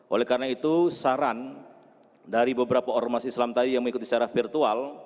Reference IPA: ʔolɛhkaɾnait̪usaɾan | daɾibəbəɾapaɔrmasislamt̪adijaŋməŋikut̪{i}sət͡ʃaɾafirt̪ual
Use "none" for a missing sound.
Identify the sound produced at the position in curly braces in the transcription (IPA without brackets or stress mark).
i